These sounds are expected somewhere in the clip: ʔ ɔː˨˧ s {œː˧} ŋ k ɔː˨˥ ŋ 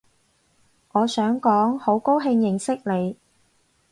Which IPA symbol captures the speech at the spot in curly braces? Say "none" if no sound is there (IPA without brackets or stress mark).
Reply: œː˨˥